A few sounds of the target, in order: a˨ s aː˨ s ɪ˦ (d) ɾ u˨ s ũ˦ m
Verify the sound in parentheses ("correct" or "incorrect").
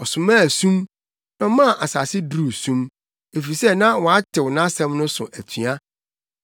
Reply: correct